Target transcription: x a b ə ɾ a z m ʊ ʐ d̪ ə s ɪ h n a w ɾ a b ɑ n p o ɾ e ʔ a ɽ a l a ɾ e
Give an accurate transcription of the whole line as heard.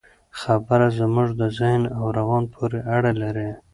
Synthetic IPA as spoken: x a b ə ɾ a z m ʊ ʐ d̪ ə z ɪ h n a w ɾ a w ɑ n pʰ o ɾ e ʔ a ɽ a l a ɾ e